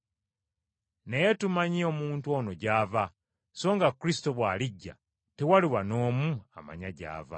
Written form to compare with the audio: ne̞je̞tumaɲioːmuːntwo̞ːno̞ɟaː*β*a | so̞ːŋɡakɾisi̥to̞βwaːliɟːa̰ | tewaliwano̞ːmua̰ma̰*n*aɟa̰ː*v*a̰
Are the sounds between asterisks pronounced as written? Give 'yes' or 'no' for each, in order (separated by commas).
no, no, yes